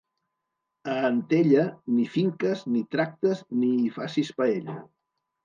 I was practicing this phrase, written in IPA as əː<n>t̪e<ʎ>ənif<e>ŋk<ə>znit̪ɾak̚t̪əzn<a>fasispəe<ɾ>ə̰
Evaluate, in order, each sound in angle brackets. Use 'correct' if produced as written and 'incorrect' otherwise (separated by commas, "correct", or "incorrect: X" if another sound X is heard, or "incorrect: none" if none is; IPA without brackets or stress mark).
correct, correct, incorrect: i, correct, incorrect: i, incorrect: ʎ